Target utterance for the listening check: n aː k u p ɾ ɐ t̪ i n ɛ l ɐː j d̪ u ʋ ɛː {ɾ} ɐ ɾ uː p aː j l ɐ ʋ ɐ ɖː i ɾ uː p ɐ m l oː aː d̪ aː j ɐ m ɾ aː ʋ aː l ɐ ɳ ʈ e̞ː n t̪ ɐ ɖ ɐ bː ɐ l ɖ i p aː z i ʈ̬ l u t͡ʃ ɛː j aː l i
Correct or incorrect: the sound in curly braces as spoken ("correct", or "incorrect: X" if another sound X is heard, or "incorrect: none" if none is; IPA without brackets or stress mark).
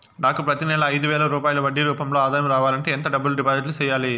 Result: incorrect: l